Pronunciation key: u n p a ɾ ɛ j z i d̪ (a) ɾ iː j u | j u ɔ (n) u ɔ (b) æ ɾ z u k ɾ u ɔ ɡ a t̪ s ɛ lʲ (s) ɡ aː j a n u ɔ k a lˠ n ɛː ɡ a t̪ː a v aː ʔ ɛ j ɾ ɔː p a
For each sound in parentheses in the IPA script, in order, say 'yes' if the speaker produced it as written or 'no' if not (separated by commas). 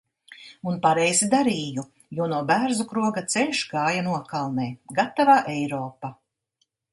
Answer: yes, yes, yes, no